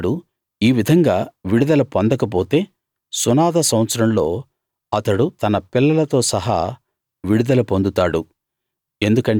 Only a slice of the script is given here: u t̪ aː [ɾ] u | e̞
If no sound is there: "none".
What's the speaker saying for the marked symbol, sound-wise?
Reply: ɽ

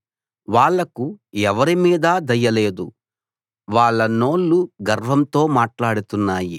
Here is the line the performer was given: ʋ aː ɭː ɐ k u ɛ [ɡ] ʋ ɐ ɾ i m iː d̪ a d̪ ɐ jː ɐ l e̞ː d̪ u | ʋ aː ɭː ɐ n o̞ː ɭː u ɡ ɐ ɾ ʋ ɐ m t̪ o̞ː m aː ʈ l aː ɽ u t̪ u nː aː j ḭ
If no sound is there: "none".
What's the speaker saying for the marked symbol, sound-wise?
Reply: none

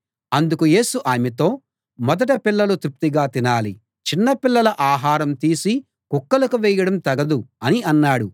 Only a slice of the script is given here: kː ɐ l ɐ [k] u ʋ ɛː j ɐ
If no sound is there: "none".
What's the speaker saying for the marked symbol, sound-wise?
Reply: k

